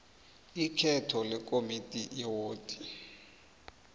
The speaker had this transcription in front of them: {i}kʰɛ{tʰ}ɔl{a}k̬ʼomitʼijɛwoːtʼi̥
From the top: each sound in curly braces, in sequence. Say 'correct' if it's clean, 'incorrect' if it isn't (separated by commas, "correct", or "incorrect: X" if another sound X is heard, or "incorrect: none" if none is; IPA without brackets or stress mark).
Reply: correct, correct, incorrect: ɛ